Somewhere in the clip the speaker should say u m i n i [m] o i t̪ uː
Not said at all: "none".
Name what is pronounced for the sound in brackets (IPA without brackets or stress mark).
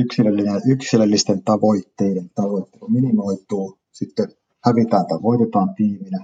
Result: m